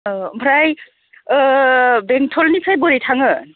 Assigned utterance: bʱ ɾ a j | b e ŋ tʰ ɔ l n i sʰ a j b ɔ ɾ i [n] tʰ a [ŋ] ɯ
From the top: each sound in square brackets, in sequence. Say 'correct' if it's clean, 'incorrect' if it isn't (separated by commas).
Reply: incorrect, correct